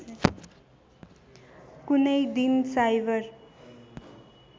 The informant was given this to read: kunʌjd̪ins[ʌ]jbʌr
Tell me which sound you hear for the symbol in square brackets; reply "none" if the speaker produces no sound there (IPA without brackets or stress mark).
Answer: a